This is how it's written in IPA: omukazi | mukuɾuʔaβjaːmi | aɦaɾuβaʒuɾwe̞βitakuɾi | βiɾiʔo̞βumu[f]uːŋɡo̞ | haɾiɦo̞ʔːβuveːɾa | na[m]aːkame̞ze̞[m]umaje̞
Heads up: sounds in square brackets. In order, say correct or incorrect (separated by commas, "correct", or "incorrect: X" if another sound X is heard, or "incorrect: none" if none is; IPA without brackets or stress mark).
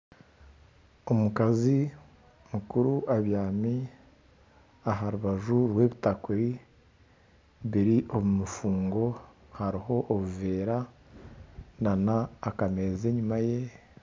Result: correct, incorrect: n, incorrect: ɲ